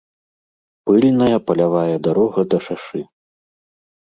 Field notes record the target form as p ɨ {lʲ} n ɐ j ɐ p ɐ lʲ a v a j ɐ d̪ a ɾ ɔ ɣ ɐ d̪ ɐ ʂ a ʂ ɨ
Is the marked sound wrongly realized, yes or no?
no